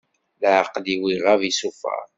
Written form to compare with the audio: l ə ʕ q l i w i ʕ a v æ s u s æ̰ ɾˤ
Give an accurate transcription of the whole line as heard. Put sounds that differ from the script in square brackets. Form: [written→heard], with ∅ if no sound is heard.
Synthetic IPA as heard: l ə ʕ q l i w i [ʕ→ʁ] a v [æ→i] s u [s→f] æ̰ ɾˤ